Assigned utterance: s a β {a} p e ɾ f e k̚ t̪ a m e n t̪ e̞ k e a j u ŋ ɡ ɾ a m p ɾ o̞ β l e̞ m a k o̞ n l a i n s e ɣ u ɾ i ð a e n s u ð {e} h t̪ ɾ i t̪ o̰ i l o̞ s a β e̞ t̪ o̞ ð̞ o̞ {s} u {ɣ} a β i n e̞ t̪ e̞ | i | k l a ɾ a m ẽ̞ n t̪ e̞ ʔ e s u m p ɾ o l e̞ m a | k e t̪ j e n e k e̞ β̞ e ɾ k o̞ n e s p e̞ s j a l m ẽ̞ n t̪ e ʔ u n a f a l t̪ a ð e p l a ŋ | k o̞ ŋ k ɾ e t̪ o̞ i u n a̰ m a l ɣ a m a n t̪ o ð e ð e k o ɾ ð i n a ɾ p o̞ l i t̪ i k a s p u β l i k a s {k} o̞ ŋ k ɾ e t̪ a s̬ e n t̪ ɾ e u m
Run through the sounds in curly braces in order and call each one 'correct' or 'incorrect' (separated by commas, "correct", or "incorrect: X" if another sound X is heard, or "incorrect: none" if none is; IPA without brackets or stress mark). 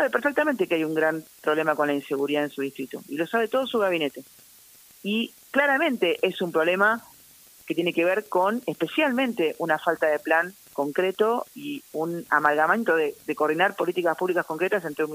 incorrect: e, incorrect: i, correct, correct, correct